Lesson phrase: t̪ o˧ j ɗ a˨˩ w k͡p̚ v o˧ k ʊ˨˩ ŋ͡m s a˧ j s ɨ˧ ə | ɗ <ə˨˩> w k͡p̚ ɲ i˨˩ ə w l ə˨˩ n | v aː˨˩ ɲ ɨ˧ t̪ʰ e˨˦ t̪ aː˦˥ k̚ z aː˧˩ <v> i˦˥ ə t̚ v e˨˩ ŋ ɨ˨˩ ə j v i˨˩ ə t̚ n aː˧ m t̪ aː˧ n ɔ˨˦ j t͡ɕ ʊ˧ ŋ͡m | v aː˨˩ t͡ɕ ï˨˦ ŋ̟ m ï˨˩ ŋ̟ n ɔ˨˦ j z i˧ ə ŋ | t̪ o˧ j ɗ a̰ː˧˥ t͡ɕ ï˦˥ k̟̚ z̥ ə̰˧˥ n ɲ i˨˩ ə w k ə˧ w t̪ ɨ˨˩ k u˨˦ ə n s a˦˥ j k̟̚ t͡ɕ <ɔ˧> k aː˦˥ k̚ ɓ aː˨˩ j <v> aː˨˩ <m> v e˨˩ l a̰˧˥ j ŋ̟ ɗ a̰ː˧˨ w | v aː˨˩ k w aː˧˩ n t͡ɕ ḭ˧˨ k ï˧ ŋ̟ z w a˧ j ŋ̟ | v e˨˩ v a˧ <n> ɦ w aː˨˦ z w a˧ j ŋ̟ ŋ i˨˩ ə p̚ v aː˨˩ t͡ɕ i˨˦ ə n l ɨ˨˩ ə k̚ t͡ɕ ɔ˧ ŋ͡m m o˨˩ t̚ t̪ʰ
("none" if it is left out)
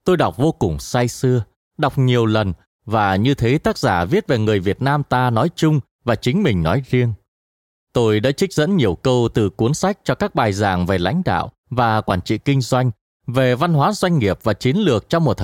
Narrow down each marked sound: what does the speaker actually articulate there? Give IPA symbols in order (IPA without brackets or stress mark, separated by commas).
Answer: a˨˩, v, ɔ˧, z, ŋ, n